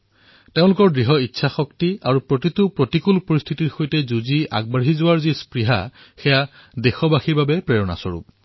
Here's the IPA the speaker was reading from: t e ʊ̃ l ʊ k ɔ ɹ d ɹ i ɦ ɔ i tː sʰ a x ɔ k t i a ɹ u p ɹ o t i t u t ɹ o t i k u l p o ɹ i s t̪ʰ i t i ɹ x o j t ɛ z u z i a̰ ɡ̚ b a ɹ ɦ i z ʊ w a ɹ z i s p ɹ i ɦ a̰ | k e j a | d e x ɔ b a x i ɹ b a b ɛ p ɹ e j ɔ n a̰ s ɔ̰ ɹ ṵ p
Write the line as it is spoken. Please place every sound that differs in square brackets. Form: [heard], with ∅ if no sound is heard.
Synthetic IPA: t e ʊ̃ l ʊ k ɔ ɹ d ɹ i ɦ ɔ i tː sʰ a x ɔ k t i a ɹ u p ɹ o t i t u [p] ɹ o t i k u l p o ɹ i s t̪ʰ i t i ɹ x o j t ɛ z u z i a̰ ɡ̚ b a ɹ ɦ i z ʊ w a ɹ z i s p ɹ i ɦ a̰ | [x] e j a | d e x ɔ b a x i ɹ b a b ɛ p ɹ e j ɔ n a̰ s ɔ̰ ɹ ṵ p